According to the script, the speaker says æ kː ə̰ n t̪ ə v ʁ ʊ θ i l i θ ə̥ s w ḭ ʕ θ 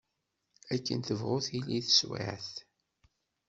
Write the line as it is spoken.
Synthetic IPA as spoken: æ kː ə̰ n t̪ ə v ʁ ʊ θ i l i θ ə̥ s w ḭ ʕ θ

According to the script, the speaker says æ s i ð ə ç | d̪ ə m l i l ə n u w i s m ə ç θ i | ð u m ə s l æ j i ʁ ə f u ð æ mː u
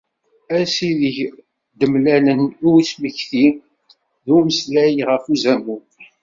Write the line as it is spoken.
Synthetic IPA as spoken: æ s i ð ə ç | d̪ ə m l æ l ə n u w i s m ə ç θ i | ð u m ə s l æ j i ʁ ə f u z æ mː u

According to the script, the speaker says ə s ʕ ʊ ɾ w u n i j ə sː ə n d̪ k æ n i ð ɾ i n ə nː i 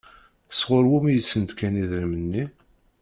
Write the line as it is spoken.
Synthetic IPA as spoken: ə s ʁ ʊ ɾ w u m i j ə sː ə n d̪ k æ n i ð ɾ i m ə nː i

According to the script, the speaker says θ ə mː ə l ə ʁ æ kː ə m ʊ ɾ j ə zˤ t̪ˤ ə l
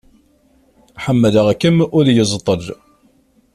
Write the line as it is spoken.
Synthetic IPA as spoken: ħ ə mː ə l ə ʁ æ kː ə m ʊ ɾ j ə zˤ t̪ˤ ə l

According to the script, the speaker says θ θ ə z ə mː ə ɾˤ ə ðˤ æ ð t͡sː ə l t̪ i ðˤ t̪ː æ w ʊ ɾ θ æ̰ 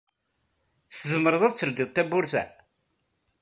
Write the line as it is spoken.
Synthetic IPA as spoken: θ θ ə z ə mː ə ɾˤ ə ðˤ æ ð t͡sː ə l d̪ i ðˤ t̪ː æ b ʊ ɾ θ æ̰

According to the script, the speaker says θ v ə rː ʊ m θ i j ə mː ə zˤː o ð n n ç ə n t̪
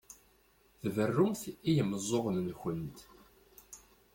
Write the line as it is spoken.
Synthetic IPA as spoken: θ v ə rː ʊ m θ i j ə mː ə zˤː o ʁ n n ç ə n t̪

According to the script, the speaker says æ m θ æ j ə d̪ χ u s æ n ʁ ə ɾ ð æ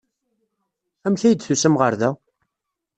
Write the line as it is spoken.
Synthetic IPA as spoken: æ m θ æ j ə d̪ θ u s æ m ʁ ə ɾ ð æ

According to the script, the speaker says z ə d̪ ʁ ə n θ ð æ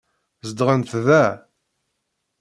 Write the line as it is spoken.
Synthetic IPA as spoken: z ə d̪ ʁ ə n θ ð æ

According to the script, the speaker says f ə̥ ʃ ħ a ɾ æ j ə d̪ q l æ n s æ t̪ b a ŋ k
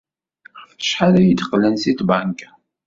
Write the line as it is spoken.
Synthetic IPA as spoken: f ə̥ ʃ ħ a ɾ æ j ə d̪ q l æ n s i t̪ b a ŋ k

